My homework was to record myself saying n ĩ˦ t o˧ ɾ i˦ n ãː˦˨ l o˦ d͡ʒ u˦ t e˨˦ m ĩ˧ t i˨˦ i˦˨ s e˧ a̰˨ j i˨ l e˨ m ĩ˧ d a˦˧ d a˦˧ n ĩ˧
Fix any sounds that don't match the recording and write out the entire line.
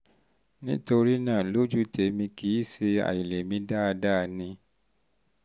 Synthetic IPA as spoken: n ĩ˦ t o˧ ɾ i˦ n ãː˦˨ l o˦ d͡ʒ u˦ t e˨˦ m ĩ˧ k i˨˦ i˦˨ s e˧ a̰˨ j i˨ l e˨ m ĩ˧ d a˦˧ d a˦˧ n ĩ˧